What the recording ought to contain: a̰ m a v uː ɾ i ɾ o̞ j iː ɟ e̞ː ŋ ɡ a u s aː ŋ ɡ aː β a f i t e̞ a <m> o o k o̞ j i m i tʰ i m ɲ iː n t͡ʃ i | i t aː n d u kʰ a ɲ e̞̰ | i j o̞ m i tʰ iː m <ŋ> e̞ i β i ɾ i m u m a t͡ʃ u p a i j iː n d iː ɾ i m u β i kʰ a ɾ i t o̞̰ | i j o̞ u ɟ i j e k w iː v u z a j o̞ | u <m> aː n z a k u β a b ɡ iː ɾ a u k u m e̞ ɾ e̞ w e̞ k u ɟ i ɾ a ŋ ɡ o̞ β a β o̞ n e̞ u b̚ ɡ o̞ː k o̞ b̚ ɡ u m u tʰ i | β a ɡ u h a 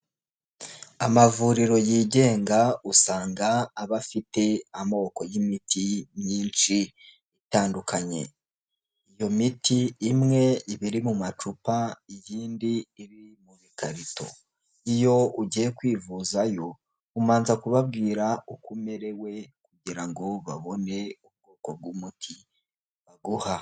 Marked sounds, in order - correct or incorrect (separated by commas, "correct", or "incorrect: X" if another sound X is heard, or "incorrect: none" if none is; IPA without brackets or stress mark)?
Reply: correct, correct, correct